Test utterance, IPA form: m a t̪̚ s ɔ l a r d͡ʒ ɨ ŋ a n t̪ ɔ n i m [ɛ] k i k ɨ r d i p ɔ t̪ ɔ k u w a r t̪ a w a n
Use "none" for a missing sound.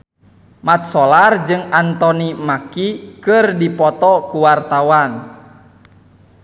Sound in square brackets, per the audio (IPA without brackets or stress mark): a